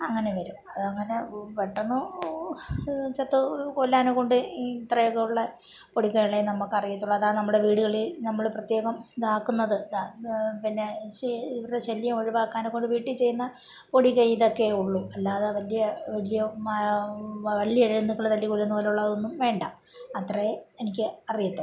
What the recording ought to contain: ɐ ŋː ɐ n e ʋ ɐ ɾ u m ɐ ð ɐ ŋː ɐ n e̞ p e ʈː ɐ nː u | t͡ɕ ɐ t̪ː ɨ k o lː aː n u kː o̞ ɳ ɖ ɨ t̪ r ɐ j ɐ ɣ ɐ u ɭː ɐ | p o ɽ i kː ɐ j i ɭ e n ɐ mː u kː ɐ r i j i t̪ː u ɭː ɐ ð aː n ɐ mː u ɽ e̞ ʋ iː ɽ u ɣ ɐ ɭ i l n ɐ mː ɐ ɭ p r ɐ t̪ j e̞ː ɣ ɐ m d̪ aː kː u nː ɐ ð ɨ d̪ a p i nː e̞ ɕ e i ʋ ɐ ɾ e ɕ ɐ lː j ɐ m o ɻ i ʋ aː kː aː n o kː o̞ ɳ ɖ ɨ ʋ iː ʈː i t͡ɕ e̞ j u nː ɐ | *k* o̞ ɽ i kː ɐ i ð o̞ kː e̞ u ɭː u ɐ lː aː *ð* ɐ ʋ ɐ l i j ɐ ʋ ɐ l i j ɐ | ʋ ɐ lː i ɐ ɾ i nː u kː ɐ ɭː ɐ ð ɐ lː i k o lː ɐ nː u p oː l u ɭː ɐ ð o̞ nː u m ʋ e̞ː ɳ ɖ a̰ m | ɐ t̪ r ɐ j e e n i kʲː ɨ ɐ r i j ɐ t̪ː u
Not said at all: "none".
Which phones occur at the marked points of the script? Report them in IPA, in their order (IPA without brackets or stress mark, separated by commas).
p, ð